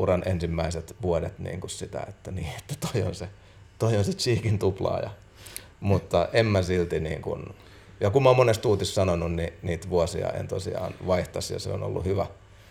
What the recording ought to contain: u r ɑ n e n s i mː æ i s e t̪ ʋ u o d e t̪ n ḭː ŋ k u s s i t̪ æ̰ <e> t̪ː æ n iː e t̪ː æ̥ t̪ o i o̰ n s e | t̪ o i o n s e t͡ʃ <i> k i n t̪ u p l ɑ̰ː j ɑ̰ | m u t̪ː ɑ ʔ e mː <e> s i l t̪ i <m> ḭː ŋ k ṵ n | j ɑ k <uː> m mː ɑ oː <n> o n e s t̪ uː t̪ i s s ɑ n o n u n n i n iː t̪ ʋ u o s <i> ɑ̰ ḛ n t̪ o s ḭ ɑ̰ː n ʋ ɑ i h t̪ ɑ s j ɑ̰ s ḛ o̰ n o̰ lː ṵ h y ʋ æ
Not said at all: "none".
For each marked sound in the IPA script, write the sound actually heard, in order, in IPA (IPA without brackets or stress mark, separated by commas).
e, iː, æ, n, u, m, i